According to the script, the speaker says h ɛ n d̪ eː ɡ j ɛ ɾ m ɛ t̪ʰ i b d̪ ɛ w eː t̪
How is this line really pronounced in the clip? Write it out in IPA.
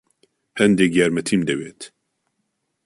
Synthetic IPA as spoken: h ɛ n d̪ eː ɡ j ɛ ɾ m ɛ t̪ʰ i m d̪ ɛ w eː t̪